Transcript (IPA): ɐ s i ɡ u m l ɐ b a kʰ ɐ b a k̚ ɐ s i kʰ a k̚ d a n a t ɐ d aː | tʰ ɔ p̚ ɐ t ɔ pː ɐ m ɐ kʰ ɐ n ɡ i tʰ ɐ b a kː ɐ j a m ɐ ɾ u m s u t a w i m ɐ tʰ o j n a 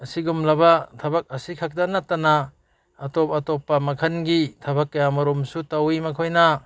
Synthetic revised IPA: ɐ s i ɡ u m l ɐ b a tʰ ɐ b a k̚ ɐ s i kʰ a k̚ d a n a t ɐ n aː | t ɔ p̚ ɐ t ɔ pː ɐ m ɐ kʰ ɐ n ɡ i tʰ ɐ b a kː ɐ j a m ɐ ɾ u m s u t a w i m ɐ kʰ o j n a